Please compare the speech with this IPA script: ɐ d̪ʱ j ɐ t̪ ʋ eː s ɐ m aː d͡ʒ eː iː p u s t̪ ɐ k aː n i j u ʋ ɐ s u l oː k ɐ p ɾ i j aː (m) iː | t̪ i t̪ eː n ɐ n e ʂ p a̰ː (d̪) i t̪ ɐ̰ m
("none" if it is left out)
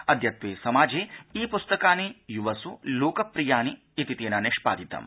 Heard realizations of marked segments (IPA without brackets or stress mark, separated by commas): n, d̪